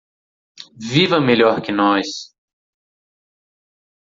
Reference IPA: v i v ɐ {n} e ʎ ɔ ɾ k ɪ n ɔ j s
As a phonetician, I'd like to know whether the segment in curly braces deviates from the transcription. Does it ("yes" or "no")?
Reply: yes